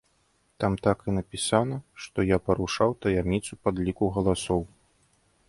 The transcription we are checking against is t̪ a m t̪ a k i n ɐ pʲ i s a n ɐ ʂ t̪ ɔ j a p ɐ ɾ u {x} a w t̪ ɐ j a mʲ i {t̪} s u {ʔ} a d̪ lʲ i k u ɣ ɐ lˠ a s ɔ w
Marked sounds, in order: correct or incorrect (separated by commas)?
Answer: incorrect, correct, incorrect